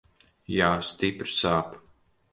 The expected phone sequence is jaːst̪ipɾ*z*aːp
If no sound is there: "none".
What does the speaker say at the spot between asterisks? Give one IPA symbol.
s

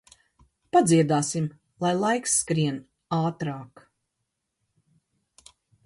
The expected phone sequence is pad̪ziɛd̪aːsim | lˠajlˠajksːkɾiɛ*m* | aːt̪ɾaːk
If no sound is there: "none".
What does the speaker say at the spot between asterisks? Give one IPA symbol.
n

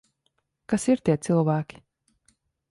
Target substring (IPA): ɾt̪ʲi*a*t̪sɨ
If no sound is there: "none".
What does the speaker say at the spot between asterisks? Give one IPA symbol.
ɛ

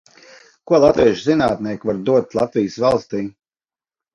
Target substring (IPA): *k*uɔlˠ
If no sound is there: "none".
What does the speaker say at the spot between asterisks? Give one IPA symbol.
k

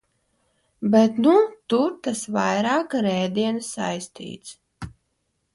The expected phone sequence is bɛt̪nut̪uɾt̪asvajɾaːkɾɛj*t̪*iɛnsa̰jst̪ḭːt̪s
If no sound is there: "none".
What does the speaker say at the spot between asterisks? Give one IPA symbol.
d̪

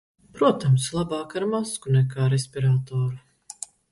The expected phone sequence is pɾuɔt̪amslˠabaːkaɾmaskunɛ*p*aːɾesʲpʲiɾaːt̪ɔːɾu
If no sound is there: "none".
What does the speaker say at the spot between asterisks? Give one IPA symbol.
k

